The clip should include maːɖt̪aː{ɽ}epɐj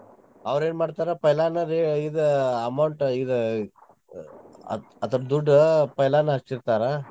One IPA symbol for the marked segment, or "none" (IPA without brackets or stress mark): ɾ